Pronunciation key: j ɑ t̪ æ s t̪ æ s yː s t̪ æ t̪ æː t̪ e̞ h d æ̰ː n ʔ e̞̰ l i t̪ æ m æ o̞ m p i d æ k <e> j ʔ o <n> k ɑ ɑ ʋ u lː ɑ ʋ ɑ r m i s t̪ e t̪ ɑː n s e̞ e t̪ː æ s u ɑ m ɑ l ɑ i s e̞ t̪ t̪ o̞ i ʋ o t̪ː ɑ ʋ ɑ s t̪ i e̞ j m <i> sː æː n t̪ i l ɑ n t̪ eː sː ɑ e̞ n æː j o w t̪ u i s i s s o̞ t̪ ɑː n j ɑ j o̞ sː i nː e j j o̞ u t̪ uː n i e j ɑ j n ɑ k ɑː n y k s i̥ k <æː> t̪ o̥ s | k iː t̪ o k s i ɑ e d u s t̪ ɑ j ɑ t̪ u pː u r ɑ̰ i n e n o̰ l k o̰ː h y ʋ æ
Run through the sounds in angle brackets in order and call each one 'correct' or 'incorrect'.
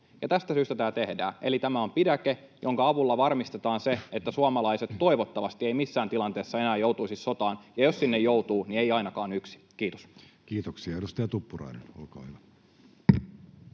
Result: correct, incorrect: ŋ, correct, incorrect: iː

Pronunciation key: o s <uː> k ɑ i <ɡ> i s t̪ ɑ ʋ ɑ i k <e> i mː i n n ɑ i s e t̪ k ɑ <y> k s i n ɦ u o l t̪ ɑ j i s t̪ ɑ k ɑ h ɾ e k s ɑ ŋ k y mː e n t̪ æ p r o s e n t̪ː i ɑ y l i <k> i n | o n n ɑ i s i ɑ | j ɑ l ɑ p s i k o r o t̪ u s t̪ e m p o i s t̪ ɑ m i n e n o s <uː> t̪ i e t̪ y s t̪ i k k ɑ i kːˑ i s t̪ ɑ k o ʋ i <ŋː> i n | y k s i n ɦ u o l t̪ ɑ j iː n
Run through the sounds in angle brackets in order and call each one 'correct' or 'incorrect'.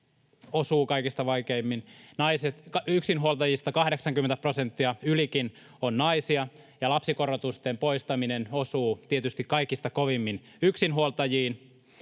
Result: correct, incorrect: k, correct, correct, correct, correct, incorrect: mː

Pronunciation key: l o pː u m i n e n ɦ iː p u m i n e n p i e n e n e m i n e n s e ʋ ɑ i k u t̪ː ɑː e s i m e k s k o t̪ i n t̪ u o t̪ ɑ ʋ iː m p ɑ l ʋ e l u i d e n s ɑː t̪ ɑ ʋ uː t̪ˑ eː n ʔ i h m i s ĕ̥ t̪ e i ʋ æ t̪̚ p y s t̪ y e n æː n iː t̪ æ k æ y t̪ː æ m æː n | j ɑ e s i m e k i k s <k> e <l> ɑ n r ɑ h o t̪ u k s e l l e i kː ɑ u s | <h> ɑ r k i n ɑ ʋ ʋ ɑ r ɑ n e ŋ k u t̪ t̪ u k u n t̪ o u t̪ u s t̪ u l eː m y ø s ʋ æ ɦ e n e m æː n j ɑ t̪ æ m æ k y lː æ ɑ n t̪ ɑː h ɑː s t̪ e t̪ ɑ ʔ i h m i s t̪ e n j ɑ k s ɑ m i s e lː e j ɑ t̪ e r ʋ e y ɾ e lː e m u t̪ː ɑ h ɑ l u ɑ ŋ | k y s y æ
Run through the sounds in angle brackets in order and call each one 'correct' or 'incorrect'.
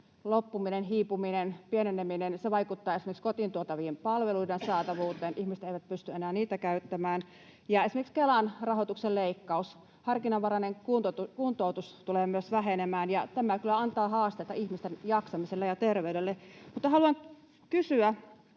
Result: correct, correct, correct

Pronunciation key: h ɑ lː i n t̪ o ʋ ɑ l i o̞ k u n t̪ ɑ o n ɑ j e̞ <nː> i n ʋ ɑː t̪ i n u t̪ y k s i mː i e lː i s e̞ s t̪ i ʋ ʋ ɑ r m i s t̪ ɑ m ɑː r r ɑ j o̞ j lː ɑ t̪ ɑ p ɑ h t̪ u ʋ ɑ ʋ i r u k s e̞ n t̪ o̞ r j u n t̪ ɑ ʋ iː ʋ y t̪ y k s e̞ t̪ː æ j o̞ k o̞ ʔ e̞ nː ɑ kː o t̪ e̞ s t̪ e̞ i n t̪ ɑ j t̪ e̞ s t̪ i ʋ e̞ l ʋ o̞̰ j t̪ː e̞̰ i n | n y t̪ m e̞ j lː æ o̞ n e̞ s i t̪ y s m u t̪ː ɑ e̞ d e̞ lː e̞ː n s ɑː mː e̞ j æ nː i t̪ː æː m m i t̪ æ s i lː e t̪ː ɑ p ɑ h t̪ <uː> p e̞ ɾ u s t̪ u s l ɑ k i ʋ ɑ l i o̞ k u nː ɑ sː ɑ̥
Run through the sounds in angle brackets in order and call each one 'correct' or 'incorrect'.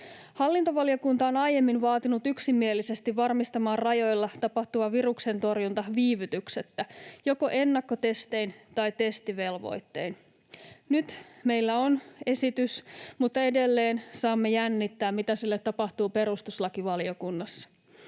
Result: incorrect: mː, correct

